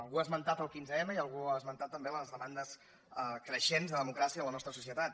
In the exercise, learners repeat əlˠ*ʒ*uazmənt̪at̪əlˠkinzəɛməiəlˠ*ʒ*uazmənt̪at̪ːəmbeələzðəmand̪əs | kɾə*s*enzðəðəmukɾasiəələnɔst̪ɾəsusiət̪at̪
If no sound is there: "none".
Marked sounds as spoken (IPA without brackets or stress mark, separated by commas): ɣ, ɣ, ʃ